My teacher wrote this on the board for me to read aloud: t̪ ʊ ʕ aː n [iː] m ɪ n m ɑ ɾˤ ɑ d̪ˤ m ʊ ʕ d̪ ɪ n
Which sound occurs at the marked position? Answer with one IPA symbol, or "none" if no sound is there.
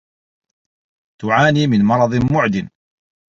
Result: iː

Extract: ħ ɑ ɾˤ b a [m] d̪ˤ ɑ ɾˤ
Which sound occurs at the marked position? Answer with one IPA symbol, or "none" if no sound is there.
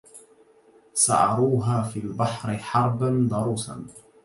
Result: n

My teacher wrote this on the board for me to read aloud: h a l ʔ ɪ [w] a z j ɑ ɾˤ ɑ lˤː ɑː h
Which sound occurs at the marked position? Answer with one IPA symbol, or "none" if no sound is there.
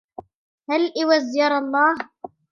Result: w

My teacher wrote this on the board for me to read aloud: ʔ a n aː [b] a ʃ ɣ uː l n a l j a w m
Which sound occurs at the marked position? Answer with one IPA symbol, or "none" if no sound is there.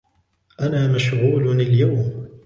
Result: m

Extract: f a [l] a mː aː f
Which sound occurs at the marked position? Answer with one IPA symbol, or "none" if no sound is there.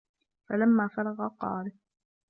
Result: l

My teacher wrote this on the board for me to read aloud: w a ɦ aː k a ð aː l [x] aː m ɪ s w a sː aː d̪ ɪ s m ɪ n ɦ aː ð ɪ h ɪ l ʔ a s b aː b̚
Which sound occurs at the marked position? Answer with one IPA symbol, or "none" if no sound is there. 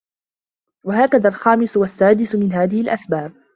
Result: x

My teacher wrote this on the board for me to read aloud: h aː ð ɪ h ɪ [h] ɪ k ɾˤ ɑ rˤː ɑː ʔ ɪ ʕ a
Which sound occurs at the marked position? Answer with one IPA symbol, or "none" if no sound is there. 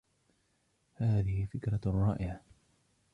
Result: f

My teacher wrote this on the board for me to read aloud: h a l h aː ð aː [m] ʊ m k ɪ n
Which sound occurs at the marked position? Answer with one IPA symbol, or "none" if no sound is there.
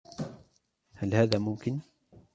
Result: m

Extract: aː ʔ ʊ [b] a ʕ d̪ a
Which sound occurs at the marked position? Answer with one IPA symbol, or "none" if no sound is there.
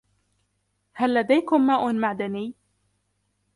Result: m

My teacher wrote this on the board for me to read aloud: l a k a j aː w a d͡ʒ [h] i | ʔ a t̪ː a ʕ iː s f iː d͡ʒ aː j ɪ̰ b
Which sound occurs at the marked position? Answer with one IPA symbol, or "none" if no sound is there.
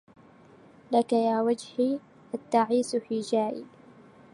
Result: h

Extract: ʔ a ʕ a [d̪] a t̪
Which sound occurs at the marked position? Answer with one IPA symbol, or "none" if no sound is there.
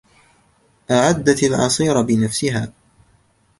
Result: d̪ː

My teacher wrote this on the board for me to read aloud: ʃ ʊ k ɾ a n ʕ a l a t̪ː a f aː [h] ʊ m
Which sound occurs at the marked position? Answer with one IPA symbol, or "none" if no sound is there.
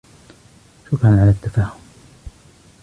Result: h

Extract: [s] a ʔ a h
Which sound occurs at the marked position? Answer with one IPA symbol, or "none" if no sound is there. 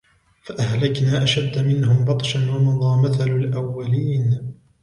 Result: f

